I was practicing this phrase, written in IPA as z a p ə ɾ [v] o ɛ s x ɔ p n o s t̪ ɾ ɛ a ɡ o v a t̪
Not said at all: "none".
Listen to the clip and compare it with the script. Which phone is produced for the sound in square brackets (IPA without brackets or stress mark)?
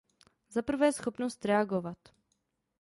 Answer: v